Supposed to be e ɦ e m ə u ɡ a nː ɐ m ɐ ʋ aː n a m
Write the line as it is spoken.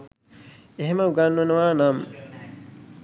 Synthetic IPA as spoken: e ɦ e m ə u ɡ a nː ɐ n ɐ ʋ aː n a m